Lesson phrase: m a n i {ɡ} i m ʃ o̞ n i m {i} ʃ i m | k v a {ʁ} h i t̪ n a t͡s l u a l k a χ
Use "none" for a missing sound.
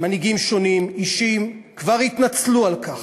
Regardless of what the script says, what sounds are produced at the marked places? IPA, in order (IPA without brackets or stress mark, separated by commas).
ɡ, i, ʁ